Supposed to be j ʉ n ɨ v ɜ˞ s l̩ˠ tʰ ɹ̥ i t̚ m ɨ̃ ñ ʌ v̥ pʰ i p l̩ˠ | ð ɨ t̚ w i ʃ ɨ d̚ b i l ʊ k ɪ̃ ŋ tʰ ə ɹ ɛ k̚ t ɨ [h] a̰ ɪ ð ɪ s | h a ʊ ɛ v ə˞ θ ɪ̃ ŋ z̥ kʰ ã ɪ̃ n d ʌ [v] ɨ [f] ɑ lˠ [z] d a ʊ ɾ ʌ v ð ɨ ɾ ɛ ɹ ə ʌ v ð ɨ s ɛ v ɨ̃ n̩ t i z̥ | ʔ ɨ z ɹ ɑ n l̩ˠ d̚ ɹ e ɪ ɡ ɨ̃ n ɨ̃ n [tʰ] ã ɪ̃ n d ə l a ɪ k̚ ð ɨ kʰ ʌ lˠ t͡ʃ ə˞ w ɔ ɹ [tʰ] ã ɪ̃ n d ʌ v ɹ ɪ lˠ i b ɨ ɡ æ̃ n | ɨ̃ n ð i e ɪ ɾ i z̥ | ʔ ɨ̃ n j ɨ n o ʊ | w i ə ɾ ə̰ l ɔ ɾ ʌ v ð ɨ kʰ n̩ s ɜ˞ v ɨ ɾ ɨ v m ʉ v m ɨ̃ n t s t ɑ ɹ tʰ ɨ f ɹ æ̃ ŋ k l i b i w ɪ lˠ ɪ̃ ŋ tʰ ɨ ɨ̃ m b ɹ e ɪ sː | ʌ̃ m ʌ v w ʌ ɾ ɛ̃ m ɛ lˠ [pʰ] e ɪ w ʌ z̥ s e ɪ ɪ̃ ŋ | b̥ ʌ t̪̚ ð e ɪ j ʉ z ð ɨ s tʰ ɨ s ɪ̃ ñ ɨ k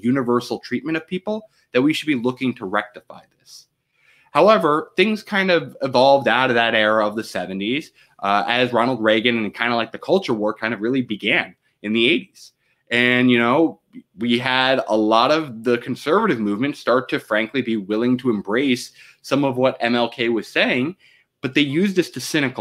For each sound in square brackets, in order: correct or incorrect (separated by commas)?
incorrect, correct, incorrect, incorrect, incorrect, incorrect, incorrect